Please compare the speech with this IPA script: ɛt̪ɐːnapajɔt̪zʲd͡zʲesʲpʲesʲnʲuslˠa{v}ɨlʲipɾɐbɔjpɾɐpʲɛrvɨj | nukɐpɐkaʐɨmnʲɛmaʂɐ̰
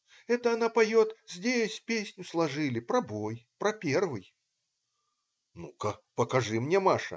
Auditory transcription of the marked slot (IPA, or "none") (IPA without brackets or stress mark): ʐ